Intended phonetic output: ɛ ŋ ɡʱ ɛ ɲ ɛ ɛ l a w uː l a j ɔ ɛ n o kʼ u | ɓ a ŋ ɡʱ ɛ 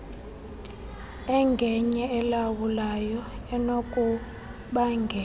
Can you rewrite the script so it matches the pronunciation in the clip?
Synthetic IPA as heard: ɛ ŋ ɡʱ ɛ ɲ ɛ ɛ l a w u l a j ɔ ɛ n o kʼ u | ɓ a ŋ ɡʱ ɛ